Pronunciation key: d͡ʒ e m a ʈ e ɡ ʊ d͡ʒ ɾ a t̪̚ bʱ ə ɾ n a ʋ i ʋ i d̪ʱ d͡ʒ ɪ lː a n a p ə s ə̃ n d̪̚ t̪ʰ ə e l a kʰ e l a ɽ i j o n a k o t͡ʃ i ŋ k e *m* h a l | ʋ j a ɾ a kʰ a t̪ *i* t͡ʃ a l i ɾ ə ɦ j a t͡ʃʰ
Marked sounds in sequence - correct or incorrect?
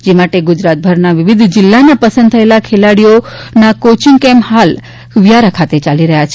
correct, incorrect: e

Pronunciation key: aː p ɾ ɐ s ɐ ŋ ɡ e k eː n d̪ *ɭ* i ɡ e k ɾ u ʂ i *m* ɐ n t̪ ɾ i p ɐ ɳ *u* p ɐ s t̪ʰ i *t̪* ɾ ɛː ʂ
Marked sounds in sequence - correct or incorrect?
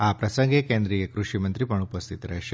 incorrect: ɾ, correct, correct, correct

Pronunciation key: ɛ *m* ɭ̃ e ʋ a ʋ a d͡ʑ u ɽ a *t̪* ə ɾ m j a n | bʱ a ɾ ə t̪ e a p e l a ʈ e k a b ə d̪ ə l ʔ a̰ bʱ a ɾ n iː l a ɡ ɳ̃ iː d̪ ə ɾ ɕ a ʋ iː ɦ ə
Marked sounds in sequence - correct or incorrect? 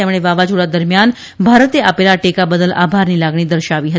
correct, incorrect: d̪

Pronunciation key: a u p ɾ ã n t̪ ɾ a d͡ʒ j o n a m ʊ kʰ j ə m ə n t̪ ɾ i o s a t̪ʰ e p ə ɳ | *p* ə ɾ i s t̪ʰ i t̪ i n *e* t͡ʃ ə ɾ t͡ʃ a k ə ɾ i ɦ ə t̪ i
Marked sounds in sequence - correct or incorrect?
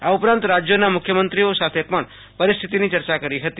correct, incorrect: i

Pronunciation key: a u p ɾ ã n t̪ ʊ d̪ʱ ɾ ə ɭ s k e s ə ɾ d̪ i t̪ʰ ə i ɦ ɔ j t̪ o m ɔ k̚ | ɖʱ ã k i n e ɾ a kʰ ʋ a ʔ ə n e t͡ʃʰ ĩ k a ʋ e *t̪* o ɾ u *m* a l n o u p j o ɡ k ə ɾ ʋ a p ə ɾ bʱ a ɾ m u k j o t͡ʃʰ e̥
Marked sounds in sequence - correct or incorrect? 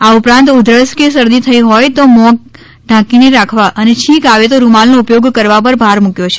correct, correct

